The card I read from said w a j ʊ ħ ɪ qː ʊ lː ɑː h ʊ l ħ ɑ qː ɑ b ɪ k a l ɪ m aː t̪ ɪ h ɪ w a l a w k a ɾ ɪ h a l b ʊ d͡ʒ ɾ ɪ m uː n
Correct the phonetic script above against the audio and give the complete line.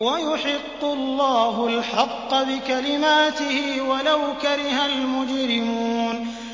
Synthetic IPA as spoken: w a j ʊ ħ ɪ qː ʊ lː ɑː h ʊ l ħ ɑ qː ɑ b ɪ k a l ɪ m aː t̪ ɪ h ɪ w a l a w k a ɾ ɪ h a l m ʊ d͡ʒ ɾ ɪ m uː n